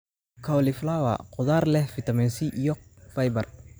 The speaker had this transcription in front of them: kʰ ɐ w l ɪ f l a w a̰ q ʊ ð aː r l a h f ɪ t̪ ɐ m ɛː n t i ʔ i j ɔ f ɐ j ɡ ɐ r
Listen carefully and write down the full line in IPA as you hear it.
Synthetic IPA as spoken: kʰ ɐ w l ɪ f l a w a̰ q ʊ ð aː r l ɛ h f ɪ t̪ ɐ m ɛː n s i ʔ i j ɔ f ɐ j b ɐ r